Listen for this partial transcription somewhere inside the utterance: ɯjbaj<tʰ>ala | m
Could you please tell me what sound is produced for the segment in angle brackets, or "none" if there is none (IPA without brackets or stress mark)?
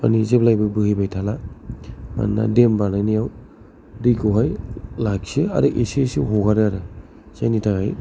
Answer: tʰ